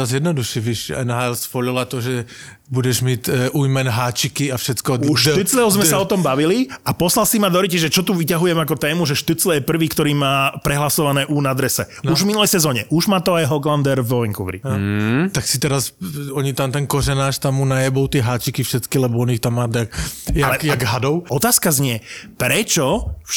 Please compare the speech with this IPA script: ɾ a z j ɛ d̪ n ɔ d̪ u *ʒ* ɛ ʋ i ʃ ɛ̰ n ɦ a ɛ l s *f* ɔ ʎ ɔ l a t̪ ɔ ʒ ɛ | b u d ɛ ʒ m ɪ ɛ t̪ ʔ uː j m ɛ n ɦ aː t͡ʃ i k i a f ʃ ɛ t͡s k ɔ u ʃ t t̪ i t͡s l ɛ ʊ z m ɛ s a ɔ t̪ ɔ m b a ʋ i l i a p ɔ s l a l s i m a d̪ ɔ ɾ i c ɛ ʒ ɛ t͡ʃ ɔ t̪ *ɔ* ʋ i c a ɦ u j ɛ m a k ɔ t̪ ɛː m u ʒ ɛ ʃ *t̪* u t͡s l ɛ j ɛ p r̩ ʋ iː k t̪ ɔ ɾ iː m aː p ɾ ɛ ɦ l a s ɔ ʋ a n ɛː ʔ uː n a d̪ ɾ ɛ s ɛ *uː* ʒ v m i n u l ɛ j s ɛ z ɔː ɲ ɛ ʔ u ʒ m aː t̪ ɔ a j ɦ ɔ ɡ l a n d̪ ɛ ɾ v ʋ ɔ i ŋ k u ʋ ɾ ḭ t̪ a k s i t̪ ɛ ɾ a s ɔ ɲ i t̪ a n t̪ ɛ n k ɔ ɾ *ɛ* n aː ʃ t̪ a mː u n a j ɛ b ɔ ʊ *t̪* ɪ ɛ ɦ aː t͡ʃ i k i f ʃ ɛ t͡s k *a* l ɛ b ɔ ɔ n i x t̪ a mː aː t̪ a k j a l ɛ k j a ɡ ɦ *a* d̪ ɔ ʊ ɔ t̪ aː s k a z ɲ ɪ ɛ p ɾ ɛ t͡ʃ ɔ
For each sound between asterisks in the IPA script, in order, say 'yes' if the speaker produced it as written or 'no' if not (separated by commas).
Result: no, yes, no, yes, no, yes, yes, no, yes